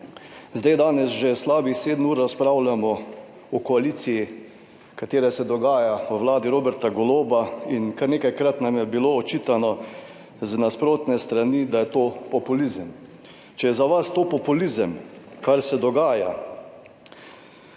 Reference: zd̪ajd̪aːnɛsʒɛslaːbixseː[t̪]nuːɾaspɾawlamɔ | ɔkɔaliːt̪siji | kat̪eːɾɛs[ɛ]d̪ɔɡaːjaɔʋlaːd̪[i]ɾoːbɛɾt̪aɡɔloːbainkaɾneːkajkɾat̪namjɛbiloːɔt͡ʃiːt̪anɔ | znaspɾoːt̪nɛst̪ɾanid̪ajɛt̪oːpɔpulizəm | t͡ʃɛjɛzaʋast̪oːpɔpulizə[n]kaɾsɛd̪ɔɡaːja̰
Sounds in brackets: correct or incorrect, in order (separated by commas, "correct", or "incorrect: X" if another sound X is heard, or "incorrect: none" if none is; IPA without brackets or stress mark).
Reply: incorrect: d̪, correct, correct, incorrect: m